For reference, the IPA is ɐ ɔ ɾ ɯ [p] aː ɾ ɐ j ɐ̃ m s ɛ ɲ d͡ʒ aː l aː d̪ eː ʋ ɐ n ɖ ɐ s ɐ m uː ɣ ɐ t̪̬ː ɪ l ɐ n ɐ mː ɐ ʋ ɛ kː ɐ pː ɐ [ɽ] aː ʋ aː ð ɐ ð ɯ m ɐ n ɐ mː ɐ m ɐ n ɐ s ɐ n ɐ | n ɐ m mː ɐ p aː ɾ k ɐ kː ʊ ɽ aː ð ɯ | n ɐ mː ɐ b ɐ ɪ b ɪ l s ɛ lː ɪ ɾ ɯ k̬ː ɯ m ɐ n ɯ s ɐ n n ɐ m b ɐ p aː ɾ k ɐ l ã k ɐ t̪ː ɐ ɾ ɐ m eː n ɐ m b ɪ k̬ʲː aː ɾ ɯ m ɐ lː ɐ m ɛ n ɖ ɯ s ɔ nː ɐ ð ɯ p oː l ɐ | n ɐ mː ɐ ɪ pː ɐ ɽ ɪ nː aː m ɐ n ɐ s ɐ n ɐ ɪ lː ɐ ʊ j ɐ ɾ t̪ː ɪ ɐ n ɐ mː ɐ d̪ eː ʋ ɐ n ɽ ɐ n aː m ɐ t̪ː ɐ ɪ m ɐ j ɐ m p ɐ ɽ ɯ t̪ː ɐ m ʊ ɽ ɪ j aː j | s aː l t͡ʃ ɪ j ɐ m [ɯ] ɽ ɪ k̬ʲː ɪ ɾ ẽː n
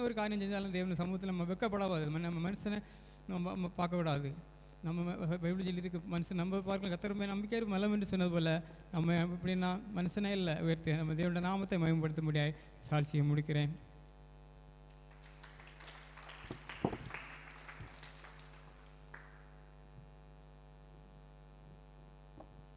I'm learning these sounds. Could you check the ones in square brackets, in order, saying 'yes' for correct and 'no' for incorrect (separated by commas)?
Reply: no, yes, no